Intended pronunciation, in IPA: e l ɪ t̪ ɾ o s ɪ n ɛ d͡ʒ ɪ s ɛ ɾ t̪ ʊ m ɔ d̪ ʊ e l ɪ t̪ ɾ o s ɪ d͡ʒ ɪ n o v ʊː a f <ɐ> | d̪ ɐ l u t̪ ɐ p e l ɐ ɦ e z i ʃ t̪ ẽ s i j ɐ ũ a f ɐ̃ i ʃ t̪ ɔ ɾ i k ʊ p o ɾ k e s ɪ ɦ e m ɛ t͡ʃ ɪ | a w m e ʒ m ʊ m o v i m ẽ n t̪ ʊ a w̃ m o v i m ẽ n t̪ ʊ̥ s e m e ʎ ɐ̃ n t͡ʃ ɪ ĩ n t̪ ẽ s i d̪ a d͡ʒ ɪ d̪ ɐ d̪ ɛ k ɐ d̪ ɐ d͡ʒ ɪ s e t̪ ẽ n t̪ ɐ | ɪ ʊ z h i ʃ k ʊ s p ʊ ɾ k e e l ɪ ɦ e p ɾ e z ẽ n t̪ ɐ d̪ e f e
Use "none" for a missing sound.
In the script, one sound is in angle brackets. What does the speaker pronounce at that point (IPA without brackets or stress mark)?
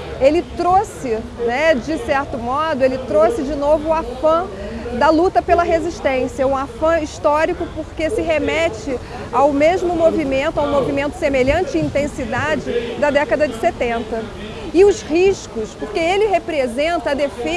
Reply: ɐ̃